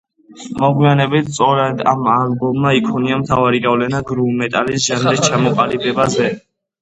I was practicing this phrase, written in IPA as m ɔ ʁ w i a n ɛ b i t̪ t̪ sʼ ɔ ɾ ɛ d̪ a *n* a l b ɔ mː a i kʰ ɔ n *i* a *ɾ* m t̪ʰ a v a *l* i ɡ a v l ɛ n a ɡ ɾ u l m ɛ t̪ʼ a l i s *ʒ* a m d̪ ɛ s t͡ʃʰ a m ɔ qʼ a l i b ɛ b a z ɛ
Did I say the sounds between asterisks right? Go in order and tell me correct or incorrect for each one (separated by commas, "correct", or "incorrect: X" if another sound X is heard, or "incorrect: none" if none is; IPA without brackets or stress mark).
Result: incorrect: m, correct, incorrect: none, incorrect: ɾ, correct